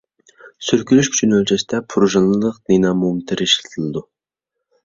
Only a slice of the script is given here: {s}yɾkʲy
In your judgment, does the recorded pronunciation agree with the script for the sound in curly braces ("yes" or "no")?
yes